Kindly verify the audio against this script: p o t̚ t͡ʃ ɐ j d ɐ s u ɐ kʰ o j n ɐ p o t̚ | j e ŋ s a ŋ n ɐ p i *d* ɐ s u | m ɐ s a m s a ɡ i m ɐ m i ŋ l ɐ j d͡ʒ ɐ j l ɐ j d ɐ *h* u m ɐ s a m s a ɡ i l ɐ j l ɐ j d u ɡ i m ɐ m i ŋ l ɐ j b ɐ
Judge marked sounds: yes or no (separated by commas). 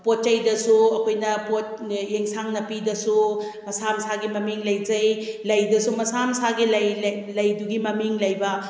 yes, no